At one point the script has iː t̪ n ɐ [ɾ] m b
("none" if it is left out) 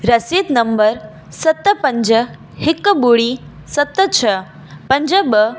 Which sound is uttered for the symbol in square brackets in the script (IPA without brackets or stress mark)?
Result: none